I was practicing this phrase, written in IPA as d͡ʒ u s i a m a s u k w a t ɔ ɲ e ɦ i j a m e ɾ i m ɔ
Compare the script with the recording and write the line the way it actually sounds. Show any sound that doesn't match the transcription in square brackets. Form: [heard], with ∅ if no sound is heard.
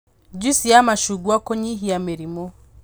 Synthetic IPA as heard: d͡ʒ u s i a m a [ʃ] u [ɡ] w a [k] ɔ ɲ [i] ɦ i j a m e ɾ i m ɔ